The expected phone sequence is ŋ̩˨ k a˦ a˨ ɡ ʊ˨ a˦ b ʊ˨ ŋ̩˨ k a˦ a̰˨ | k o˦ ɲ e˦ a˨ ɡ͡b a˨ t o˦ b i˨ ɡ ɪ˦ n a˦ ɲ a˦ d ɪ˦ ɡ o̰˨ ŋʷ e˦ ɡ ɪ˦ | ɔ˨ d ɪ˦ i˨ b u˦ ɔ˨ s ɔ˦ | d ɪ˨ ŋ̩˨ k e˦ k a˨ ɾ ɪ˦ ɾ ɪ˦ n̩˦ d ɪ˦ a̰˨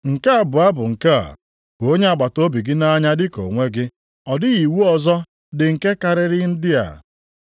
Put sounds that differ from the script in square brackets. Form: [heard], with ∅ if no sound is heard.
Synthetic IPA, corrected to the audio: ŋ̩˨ k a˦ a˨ [b] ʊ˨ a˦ b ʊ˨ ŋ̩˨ k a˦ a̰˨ | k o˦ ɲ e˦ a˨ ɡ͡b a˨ t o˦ b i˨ ɡ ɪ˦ n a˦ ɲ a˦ d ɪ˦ [k] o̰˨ ŋʷ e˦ ɡ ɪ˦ | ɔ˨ d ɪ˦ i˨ [w] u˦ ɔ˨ [z] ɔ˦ | d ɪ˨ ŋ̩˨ k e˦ k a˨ ɾ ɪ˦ ɾ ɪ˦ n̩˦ d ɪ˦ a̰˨